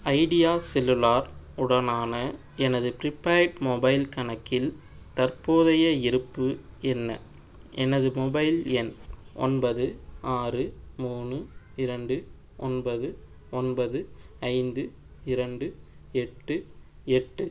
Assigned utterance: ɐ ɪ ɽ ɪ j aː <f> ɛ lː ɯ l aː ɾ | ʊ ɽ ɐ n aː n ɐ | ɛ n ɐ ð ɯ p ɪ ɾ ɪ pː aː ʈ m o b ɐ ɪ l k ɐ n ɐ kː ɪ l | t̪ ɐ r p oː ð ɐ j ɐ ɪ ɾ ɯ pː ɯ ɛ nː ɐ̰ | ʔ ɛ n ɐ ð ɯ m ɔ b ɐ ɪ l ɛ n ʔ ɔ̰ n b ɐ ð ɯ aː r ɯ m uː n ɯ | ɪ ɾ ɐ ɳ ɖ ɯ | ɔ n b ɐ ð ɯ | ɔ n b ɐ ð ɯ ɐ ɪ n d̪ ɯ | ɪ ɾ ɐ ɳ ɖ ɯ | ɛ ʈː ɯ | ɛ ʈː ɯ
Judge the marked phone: incorrect: s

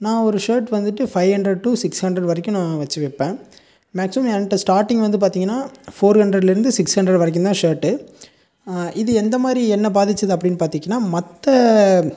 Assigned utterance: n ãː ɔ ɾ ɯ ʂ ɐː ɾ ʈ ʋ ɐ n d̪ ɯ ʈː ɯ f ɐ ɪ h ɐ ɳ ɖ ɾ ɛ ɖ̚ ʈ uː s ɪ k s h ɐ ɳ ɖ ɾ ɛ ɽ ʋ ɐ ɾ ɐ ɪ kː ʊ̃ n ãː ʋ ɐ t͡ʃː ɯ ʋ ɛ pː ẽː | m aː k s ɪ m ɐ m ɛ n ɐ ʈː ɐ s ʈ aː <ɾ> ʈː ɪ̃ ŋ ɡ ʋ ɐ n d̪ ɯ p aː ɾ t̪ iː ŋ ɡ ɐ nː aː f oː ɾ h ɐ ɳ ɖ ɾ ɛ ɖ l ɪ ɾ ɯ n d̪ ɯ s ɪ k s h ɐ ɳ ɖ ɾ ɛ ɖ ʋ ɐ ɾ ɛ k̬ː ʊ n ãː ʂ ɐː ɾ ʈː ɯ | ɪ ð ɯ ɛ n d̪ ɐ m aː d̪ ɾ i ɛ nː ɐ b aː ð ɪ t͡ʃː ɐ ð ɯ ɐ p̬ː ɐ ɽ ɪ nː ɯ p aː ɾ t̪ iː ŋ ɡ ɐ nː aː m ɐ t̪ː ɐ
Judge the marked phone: correct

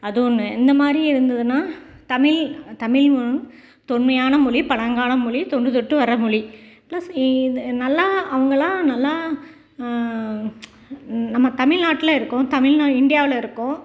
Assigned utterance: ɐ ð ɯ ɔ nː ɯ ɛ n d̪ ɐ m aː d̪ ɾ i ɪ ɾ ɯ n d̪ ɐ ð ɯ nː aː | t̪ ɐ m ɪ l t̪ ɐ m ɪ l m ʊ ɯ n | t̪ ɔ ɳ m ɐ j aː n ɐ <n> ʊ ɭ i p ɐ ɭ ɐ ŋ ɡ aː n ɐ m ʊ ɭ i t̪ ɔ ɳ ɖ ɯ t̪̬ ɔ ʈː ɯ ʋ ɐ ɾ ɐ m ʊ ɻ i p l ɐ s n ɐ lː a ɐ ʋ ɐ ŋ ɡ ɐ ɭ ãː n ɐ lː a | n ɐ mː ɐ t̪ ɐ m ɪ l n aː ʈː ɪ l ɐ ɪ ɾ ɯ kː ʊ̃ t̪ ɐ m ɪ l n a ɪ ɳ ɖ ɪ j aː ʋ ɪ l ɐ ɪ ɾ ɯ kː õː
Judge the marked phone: incorrect: m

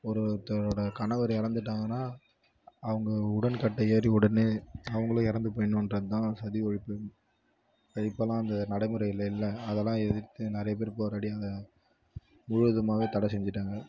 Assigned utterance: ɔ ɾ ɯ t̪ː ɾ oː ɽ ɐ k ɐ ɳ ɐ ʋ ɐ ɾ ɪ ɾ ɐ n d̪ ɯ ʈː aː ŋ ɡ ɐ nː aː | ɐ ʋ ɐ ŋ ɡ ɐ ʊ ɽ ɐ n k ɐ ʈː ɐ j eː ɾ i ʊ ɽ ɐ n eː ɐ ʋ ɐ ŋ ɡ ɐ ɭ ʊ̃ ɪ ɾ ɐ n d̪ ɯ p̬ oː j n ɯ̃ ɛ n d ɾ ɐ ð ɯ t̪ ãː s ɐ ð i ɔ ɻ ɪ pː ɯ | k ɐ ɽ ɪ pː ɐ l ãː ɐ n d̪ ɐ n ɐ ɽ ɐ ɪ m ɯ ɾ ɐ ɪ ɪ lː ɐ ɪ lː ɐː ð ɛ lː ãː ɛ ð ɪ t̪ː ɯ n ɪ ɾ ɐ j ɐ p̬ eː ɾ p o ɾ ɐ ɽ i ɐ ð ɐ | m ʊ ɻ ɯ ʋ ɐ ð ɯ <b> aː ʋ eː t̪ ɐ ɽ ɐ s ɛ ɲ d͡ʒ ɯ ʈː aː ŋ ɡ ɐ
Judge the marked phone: incorrect: m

